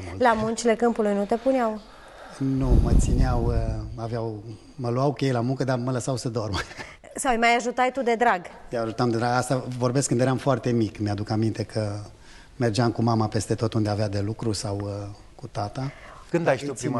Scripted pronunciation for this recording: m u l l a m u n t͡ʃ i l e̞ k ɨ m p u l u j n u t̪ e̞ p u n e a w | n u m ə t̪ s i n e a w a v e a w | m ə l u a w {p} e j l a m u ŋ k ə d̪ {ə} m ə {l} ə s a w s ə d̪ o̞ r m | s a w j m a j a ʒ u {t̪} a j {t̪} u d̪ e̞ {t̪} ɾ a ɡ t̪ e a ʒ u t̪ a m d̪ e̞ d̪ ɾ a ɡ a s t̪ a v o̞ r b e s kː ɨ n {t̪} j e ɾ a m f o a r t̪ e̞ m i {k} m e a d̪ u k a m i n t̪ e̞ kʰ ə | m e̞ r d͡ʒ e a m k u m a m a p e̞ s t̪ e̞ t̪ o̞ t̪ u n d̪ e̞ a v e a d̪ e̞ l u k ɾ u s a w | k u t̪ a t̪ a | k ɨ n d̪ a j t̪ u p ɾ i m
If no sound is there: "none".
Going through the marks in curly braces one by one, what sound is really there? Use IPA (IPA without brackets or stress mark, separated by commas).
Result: k, a, l, t̪, t̪, d̪, d̪, k